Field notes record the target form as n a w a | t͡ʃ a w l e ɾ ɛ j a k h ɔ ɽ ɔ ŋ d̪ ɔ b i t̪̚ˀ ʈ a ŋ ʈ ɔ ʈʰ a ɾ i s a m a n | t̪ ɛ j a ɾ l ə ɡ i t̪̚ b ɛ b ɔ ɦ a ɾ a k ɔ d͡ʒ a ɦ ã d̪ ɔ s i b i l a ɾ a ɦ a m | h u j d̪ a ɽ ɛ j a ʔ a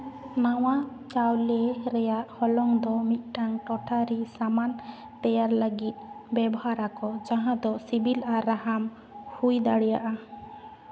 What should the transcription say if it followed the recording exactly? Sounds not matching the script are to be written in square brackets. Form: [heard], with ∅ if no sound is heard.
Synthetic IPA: n a w a | t͡ʃ a w l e ɾ ɛ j a [ʔ] h ɔ [l] ɔ ŋ d̪ ɔ [m] i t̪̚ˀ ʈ a ŋ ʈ ɔ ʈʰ a ɾ i s a m a n | t̪ ɛ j a ɾ l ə ɡ i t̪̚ b ɛ b ɔ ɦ a ɾ a k ɔ d͡ʒ a ɦ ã d̪ ɔ s i b i l a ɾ a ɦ a m | h u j d̪ a ɽ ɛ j a ʔ a

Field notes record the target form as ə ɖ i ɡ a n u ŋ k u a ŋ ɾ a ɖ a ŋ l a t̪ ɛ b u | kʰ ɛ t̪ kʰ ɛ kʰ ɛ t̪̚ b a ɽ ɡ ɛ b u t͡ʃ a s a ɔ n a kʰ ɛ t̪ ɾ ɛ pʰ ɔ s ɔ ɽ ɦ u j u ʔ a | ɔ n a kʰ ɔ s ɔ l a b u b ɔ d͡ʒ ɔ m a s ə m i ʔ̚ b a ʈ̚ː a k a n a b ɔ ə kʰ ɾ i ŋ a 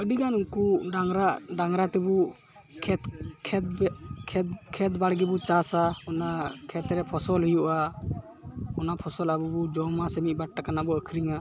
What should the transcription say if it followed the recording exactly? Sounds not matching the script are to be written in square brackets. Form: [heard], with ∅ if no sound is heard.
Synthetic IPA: ə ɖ i ɡ a n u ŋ k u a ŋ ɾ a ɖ a ŋ [ɾ] a t̪ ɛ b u | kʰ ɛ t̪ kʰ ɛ kʰ ɛ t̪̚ b a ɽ ɡ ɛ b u t͡ʃ a s a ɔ n a kʰ ɛ t̪ ɾ ɛ pʰ ɔ s ɔ [l] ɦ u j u ʔ a | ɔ n a [pʰ] ɔ s ɔ l a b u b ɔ d͡ʒ ɔ m a s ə m i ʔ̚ b a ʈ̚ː a k a n a b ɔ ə kʰ ɾ i ŋ a

